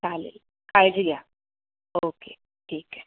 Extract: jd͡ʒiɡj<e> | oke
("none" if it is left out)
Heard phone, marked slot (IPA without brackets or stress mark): a